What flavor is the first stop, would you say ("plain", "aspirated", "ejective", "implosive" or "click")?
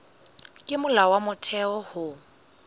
ejective